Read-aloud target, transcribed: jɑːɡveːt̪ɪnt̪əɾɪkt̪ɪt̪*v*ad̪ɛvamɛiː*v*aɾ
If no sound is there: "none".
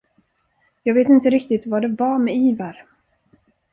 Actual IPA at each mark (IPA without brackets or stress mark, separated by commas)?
v, v